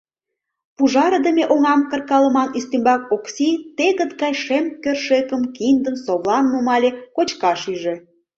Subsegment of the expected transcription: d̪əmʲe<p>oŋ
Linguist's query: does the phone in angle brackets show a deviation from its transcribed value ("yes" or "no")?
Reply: yes